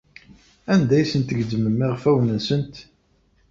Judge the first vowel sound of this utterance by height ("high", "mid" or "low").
low